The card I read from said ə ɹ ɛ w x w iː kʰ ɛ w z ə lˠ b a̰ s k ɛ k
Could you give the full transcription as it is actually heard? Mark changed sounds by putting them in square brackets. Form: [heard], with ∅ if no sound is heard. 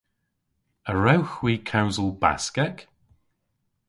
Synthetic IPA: ə ɹ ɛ w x w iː kʰ [a] w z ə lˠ b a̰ s k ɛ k